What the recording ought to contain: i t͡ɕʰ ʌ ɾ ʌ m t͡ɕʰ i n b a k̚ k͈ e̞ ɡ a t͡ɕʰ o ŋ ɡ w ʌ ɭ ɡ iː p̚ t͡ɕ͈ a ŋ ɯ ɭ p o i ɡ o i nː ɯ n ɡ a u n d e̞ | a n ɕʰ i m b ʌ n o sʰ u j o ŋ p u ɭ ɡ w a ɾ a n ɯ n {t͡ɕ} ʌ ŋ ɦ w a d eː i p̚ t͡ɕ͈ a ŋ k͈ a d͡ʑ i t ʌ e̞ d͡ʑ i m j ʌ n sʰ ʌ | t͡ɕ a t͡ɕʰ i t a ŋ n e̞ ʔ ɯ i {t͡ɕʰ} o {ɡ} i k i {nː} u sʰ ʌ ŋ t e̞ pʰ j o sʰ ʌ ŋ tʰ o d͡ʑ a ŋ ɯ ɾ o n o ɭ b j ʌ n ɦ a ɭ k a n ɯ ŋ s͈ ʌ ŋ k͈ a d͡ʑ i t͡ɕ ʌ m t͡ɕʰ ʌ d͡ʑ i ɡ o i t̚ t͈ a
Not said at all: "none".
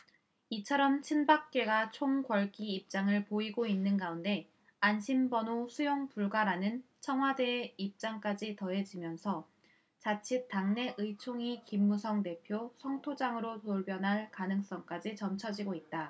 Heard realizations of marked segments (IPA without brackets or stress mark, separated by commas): t͡ɕʰ, t͡ɕʰ, ŋ, mː